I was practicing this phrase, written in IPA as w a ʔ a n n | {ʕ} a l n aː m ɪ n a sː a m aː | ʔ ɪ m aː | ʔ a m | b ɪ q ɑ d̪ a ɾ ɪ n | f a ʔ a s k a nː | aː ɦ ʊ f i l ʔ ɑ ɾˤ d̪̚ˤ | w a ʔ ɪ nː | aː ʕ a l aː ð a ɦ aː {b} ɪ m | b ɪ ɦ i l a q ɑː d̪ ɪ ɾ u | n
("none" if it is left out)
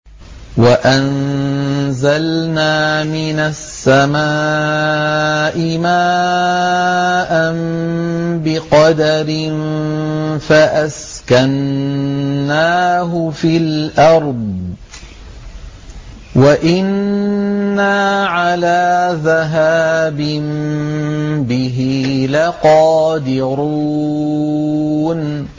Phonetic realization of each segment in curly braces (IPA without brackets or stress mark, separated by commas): z, b